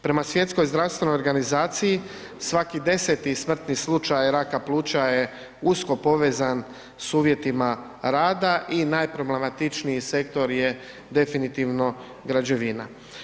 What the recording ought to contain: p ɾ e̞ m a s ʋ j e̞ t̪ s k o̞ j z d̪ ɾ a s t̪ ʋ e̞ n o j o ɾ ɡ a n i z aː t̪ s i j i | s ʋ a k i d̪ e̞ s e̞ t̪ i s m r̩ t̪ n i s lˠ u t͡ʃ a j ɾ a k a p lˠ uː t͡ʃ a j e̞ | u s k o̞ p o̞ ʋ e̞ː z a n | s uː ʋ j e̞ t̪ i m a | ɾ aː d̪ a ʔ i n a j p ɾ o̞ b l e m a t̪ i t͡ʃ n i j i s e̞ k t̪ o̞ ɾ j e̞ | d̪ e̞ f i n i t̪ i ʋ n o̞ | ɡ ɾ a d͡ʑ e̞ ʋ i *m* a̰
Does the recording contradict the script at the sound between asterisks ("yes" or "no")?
yes